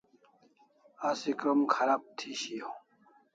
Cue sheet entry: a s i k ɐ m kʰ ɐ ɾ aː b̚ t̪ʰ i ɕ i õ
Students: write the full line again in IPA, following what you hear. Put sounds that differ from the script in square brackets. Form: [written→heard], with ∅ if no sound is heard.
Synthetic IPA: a s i k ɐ m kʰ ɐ ɾ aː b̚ t̪ʰ i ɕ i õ

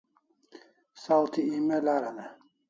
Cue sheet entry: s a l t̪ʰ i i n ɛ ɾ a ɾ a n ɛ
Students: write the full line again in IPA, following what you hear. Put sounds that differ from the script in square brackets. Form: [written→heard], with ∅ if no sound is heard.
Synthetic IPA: s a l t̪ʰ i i [n→m] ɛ [ɾ→l] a ɾ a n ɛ

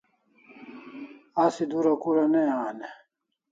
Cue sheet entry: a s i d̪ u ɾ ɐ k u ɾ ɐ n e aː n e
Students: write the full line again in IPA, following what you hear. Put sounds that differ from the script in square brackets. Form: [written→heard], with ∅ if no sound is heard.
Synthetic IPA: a s i d̪ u ɾ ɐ k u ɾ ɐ n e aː n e

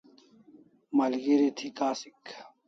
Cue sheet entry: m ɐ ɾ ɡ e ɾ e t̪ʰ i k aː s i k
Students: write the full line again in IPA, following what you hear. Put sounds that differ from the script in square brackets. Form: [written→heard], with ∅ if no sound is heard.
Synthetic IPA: m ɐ [ɾ→l] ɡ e ɾ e t̪ʰ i k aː s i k

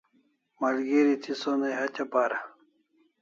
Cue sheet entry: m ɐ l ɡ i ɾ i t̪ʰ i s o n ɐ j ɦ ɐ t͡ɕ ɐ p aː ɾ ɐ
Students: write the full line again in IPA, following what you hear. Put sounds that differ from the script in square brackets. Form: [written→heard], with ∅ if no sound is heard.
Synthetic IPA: m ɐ l ɡ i ɾ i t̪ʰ i s o n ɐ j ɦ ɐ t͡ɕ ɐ p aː ɾ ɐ

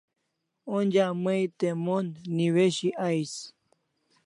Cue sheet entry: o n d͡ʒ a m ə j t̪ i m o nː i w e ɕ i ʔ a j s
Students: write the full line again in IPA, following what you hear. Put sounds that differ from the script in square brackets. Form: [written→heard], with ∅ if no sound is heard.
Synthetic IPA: o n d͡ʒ a m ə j t̪ [i→e] m o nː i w e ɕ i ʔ a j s

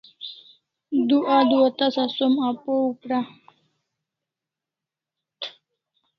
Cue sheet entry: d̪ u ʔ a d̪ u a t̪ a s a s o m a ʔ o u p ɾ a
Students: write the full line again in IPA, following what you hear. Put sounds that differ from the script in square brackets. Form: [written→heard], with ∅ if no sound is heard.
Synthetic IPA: d̪ u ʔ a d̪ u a t̪ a s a s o m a [ʔ→p] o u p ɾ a

